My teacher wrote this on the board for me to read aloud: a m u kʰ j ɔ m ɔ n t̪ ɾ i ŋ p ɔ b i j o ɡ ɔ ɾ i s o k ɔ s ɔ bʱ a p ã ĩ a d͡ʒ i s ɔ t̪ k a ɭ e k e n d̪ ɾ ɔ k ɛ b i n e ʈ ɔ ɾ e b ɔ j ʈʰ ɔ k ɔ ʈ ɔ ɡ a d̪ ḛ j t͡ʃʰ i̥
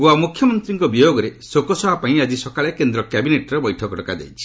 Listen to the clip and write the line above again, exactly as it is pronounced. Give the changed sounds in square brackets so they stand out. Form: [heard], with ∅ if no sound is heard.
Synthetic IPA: a m u kʰ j ɔ m ɔ n t̪ ɾ i ŋ [k] ɔ b i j o ɡ ɔ ɾ [e] s o k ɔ s ɔ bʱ a p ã ĩ a d͡ʒ i s ɔ [∅] k a ɭ e k e n d̪ ɾ ɔ k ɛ b i n e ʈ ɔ ɾ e b ɔ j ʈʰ ɔ k ɔ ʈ ɔ [k] a d̪ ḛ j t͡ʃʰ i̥